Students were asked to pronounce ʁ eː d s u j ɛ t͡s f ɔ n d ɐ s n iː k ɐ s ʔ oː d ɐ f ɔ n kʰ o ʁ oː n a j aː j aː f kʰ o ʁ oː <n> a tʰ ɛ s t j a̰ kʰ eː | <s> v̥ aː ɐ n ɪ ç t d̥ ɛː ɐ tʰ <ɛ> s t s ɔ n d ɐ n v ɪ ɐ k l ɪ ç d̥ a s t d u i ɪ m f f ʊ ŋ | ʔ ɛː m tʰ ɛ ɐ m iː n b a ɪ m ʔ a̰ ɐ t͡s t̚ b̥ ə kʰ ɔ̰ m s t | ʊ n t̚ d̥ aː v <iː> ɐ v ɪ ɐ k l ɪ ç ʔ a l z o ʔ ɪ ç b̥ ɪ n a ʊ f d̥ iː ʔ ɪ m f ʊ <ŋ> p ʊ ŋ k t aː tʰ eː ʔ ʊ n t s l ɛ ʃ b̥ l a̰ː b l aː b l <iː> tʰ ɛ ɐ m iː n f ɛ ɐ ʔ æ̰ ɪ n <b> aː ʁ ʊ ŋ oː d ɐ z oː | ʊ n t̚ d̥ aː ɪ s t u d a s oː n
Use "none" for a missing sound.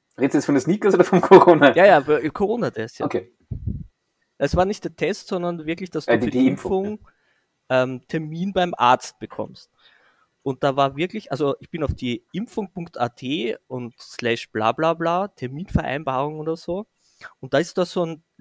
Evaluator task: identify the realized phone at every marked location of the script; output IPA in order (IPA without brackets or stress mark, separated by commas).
n, s, ɛ, aː, ŋ, aː, b